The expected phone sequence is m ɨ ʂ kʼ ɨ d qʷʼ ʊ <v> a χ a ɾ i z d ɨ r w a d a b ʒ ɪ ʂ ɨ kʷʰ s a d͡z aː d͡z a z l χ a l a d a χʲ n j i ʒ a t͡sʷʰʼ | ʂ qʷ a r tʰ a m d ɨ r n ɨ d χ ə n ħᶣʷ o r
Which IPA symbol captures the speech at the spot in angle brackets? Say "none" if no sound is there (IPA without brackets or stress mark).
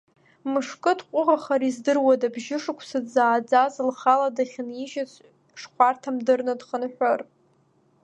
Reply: ʁ